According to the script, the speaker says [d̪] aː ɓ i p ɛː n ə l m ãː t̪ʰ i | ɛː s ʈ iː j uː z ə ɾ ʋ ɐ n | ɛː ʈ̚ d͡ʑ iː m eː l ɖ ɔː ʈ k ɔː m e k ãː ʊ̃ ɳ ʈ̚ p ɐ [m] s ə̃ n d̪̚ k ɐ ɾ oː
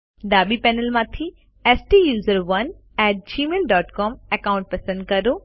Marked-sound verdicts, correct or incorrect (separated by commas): correct, incorrect